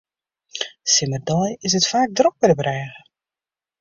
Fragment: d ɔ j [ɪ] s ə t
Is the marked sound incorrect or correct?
correct